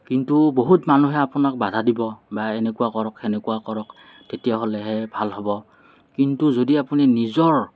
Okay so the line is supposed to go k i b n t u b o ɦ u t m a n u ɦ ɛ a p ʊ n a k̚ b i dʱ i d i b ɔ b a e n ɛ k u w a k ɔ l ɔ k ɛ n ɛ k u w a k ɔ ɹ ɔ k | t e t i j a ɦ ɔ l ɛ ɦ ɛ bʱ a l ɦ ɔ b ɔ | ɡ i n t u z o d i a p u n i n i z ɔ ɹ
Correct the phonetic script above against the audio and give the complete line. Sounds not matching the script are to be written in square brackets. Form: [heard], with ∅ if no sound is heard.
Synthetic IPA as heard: k i [∅] n t u b o ɦ u t m a n u ɦ ɛ a p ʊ n a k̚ b [a] dʱ [a] d i b ɔ b a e n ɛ k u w a k ɔ [ɹ] ɔ k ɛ n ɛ k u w a k ɔ ɹ ɔ k | t e t i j a ɦ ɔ l ɛ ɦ ɛ bʱ a l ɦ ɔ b ɔ | [k] i n t u z o d i a p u n i n i z ɔ ɹ